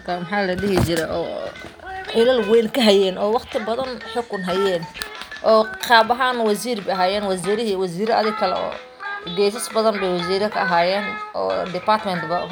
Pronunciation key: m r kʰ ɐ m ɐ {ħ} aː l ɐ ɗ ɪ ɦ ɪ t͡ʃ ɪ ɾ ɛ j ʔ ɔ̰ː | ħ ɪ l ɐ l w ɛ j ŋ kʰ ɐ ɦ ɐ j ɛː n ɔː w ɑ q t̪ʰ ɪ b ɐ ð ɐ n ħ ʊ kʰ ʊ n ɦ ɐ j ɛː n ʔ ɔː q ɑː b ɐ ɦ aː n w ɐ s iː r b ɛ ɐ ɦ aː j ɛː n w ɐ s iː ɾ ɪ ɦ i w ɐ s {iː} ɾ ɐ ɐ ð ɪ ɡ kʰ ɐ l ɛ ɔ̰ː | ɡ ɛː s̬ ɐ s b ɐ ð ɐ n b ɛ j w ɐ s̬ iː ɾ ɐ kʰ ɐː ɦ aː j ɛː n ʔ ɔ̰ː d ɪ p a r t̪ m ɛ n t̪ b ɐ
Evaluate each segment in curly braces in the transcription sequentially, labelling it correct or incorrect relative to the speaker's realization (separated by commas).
correct, correct